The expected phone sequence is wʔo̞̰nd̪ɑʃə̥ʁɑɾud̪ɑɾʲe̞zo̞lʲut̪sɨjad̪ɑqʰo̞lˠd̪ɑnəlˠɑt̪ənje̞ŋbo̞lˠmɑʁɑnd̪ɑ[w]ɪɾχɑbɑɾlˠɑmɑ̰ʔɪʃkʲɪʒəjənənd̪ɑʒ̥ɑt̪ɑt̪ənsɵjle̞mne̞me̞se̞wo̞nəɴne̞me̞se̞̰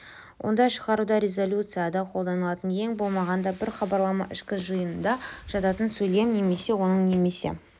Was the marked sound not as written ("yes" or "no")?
yes